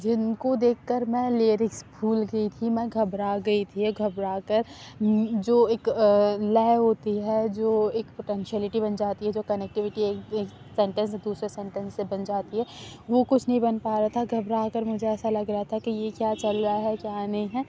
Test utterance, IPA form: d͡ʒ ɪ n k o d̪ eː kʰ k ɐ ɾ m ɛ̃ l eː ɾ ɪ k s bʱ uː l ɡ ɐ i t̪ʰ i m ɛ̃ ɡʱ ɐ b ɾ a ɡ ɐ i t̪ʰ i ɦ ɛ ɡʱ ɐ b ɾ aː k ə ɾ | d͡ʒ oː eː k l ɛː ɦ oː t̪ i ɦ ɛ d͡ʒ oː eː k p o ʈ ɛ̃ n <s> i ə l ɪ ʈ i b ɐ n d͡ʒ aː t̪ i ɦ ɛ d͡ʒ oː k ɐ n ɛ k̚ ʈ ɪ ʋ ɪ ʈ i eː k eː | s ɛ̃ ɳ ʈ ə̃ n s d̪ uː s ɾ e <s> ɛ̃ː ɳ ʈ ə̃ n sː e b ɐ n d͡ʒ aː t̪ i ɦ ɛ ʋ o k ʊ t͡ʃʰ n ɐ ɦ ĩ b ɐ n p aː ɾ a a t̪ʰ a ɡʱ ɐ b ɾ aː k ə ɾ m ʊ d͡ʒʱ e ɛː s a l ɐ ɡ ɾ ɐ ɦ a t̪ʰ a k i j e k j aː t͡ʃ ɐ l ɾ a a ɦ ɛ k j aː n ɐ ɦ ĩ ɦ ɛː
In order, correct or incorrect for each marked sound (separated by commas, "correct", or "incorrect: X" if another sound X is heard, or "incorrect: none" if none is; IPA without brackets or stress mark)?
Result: incorrect: ʃ, correct